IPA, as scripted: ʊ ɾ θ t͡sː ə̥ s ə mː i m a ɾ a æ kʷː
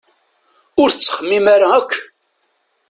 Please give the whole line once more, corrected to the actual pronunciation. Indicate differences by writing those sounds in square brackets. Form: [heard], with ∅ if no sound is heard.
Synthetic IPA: ʊ ɾ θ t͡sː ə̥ [χ] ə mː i m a ɾ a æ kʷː